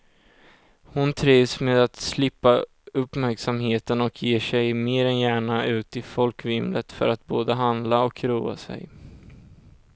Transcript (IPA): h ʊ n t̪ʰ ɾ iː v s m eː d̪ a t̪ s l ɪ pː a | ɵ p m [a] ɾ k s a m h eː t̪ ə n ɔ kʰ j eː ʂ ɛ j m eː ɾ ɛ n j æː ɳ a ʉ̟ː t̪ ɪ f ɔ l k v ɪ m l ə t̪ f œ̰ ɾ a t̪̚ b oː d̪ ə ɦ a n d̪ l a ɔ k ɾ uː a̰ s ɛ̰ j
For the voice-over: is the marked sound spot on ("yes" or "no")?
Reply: no